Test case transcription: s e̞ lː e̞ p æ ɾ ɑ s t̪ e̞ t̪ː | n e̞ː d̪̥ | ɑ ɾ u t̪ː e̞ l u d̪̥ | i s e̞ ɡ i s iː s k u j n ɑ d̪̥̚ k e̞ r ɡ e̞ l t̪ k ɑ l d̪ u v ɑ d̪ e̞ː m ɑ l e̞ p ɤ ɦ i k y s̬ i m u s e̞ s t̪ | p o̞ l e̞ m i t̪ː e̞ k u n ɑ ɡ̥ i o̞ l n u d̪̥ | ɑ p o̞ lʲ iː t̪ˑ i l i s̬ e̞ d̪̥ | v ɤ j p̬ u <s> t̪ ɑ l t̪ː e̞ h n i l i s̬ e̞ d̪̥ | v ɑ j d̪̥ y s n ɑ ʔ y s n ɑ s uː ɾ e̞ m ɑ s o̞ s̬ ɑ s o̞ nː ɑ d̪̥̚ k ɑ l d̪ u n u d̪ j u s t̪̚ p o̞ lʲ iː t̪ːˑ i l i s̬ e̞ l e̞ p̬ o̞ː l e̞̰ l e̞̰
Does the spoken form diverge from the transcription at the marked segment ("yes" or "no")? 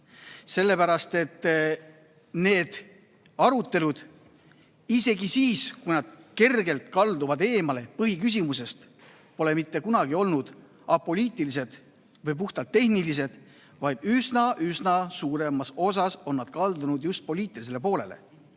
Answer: yes